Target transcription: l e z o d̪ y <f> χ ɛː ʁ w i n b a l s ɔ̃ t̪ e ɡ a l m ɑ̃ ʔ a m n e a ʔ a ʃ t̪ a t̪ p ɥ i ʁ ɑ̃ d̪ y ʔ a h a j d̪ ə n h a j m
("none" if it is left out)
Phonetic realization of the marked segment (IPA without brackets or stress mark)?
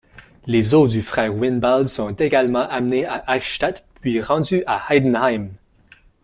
f